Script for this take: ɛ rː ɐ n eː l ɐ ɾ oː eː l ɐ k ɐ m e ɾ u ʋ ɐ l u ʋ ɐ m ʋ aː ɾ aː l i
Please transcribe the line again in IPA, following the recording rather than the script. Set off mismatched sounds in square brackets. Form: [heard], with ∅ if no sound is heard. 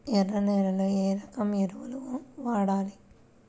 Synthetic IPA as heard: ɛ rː ɐ n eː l ɐ [l] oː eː [ɾ] ɐ k ɐ m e ɾ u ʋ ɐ l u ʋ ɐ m ʋ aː [ɽ] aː l i